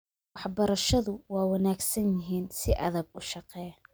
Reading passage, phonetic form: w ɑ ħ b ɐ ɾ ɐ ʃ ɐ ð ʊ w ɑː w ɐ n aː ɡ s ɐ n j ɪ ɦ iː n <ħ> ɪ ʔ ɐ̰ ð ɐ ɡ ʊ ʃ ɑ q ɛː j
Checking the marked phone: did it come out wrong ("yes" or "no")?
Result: yes